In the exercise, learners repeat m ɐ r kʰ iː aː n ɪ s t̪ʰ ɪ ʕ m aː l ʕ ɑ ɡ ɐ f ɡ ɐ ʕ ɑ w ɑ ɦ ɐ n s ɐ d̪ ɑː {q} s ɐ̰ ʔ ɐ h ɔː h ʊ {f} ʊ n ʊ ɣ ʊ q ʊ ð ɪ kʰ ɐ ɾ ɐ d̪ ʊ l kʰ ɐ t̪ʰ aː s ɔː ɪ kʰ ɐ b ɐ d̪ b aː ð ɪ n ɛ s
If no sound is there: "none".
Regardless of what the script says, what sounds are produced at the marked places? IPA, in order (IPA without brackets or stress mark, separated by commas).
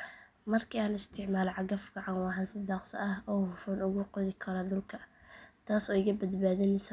q, f